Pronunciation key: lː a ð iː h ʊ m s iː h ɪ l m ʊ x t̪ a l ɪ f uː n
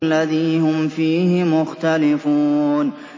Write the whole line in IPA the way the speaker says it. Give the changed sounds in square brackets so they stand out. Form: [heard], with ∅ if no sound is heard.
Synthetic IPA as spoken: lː a ð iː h ʊ m [f] iː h ɪ [∅] m ʊ x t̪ a l ɪ f uː n